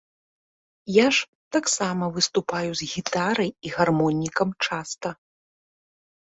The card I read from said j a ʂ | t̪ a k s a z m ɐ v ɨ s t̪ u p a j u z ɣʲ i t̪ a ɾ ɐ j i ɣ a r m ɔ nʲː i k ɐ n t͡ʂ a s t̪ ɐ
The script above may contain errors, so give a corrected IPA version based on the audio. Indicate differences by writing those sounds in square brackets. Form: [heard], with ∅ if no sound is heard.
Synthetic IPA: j a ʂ | t̪ a k s a [∅] m ɐ v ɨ s t̪ u p a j u z ɣʲ i t̪ a ɾ ɐ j i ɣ a r m ɔ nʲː i k ɐ [m] t͡ʂ a s t̪ ɐ